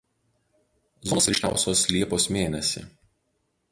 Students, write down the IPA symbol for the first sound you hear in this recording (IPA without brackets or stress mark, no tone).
z